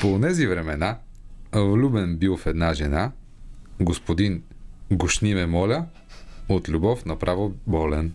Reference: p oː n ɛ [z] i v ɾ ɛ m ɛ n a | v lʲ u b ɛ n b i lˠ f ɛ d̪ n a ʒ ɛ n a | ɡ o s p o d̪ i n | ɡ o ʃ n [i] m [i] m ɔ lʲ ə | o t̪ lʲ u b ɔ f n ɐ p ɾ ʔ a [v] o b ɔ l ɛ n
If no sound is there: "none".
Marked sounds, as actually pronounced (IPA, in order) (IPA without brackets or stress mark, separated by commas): z, i, ɛ, v